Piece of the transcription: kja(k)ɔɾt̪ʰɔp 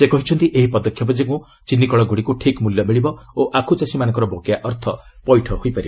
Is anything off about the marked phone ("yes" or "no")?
yes